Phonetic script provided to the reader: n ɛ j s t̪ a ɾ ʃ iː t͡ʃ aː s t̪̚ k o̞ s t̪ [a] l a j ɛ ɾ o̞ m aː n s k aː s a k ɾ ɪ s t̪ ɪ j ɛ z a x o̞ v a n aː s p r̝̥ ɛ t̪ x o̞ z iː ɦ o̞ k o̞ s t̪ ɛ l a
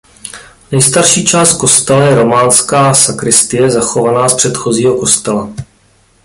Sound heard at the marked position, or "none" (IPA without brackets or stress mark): ɛ